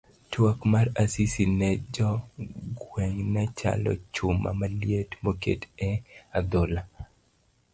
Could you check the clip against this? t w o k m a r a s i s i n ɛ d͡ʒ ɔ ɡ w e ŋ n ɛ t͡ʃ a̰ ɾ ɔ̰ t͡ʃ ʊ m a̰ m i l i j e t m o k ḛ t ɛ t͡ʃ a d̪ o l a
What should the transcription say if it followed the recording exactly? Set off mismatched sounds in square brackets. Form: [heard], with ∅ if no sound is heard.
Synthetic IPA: t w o k m a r a s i s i n ɛ d͡ʒ ɔ ɡ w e ŋ n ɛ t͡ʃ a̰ [l] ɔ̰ t͡ʃ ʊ m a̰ m [a] l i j e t m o k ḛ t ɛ [∅] a d̪ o l a